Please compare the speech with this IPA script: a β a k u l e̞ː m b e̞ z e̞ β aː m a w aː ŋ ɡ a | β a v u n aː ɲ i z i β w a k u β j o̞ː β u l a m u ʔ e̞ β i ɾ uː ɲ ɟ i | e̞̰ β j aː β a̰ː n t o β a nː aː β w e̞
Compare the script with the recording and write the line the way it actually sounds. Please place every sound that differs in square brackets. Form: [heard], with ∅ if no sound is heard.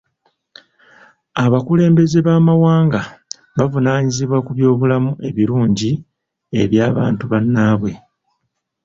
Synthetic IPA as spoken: a β a k u l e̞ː m b e̞ z e̞ β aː m a w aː ŋ ɡ a | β a v u n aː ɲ i z i β w a k u β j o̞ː β u l a m u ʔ e̞ β i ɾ uː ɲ ɟ i | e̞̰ β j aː β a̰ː n t [u] β a nː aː β w e̞